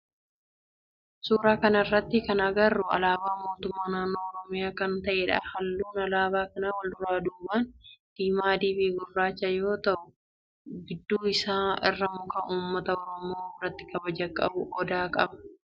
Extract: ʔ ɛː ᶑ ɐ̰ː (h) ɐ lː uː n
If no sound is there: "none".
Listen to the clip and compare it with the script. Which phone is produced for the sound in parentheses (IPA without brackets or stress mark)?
h